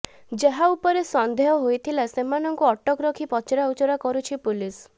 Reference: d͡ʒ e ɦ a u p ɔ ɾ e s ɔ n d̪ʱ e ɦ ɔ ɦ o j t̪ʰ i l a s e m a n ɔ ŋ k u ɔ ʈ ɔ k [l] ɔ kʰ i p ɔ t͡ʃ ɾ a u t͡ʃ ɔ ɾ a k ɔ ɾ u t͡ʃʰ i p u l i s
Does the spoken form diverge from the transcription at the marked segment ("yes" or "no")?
yes